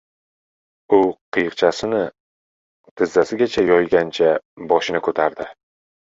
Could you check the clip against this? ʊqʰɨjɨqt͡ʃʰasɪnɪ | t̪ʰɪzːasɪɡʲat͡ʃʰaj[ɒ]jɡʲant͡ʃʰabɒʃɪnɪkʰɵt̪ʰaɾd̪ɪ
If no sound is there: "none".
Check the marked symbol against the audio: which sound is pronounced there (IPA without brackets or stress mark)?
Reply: ɒ